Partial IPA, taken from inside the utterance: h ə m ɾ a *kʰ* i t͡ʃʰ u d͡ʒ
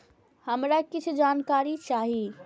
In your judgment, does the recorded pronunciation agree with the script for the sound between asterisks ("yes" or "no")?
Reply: no